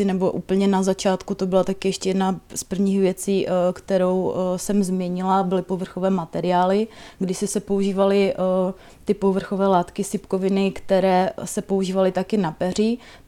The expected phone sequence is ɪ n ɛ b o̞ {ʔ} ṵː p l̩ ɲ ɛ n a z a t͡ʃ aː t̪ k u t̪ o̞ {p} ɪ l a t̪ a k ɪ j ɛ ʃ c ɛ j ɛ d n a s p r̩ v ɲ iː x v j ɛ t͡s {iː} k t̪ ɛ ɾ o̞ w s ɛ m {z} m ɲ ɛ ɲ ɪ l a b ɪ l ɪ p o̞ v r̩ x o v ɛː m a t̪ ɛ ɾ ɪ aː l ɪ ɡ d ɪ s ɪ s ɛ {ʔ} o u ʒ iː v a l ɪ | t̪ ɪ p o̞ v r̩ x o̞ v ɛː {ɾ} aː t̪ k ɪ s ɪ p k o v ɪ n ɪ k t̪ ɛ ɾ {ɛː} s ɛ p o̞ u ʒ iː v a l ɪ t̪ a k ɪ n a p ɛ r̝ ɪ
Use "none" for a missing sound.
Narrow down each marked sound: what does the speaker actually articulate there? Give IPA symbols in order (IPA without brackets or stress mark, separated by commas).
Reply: ʔ, b, iː, z, p, l, ɛː